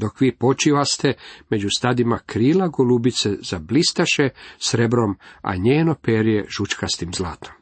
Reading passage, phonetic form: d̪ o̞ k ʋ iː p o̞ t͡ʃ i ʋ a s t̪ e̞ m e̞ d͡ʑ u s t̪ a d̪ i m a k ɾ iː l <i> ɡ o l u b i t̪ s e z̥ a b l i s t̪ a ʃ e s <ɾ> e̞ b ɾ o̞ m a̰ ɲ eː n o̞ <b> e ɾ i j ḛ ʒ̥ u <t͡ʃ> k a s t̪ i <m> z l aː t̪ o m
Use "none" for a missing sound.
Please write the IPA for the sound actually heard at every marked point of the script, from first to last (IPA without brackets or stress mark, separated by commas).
a, ɾ, p, t͡ʃ, m